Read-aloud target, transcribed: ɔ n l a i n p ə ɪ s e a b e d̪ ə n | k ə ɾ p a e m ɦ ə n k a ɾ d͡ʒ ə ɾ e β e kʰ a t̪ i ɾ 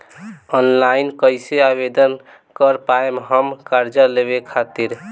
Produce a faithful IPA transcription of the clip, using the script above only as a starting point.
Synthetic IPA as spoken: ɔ n l a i n k ə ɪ s e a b e d̪ ə n | k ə ɾ p a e m ɦ ə m k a ɾ d͡ʒ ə l e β e kʰ a t̪ i ɾ